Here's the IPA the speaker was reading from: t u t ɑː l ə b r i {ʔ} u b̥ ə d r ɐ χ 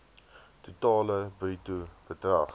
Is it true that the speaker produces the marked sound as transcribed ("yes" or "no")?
no